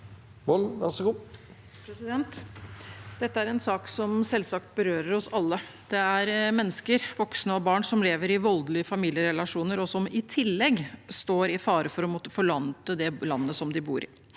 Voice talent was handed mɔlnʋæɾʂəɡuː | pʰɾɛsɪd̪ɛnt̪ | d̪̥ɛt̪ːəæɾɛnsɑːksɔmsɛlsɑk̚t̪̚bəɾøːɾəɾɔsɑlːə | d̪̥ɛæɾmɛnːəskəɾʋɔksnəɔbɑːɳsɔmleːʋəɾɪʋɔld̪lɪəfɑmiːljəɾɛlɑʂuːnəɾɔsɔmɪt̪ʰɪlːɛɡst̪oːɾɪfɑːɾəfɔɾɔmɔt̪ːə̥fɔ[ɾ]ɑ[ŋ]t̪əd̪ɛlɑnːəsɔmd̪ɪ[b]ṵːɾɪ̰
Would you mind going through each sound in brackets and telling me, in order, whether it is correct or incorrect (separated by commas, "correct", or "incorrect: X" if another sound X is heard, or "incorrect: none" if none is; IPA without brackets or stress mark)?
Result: incorrect: ɭ, incorrect: n, correct